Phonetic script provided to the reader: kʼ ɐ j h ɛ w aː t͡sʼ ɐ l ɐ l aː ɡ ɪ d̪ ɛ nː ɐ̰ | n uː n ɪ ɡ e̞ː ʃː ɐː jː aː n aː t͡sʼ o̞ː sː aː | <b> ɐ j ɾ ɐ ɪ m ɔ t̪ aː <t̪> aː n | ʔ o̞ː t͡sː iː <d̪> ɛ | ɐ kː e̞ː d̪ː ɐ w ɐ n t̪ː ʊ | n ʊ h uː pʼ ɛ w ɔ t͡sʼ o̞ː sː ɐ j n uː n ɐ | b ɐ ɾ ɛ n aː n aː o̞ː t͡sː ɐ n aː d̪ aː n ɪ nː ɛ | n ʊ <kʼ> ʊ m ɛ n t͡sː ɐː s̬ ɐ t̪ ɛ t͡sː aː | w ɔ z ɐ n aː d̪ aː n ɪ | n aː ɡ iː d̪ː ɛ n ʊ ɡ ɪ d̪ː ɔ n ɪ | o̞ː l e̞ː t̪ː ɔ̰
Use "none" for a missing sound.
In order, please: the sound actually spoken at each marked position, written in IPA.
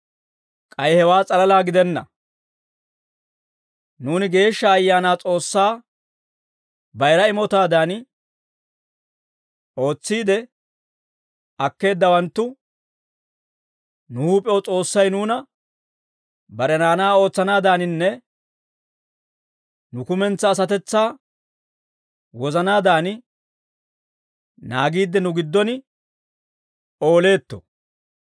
b, d̪, d̪, k

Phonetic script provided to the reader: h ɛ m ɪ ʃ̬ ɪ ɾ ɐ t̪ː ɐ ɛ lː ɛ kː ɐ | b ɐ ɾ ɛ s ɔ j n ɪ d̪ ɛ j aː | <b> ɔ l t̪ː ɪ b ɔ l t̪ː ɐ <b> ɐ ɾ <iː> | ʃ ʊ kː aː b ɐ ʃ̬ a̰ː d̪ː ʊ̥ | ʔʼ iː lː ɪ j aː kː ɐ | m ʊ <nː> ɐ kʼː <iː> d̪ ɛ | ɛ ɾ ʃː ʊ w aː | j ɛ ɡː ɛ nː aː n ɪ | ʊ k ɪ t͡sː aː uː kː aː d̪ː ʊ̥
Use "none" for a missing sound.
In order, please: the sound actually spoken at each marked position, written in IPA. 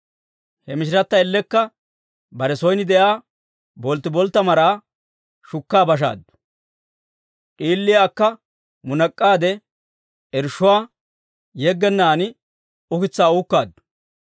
b, m, aː, n, aː

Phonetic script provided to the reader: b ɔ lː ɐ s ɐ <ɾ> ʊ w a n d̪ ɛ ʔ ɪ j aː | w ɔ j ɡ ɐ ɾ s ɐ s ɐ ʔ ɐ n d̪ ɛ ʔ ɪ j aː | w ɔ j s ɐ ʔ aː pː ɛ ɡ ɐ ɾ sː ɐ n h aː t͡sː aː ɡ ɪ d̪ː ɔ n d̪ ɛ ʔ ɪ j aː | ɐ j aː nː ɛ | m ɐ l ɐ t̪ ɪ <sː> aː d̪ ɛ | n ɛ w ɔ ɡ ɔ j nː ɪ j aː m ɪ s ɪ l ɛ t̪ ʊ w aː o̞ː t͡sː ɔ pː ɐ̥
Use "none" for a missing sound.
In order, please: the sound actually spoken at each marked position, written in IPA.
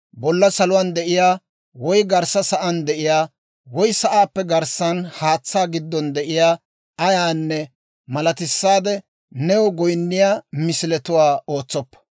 l, sː

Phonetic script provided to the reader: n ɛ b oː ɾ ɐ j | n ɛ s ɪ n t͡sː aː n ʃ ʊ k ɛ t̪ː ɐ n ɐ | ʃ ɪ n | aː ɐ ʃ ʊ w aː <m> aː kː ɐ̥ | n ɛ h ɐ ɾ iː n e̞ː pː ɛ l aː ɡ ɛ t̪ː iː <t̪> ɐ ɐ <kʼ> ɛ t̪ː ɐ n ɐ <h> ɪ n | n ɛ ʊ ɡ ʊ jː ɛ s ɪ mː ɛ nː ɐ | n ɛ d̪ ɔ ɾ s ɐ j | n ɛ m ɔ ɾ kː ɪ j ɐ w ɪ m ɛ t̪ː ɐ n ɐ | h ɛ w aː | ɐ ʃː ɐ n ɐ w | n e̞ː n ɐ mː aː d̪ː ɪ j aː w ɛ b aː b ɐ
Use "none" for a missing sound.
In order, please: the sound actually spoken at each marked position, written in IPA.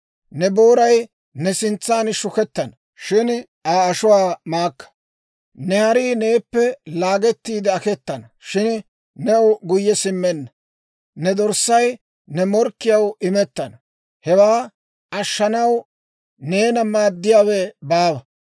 m, d̪, k, ʃ

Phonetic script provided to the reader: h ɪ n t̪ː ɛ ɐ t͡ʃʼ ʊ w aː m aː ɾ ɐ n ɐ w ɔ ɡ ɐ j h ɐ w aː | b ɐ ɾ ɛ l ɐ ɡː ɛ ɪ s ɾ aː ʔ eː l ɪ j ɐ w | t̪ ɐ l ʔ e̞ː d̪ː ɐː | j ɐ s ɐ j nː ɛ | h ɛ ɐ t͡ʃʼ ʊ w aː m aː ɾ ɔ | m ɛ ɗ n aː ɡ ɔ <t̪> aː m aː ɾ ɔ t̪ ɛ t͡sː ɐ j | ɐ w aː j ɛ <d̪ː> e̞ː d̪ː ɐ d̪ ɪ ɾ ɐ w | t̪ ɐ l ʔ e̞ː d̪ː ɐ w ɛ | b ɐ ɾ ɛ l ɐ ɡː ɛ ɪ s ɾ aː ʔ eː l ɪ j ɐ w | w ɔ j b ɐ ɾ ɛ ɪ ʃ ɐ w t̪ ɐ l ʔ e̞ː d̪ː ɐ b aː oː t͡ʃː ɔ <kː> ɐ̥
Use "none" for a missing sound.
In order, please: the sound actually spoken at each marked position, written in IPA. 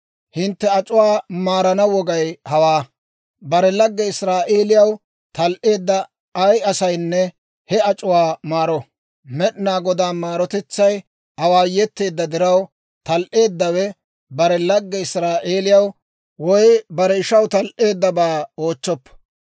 d̪, t̪ː, pː

